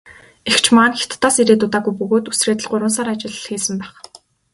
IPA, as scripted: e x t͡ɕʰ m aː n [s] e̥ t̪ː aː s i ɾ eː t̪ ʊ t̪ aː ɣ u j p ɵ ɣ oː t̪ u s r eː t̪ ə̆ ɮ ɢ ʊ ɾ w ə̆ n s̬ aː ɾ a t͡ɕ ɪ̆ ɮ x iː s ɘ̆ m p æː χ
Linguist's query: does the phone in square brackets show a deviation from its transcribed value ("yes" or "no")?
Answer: yes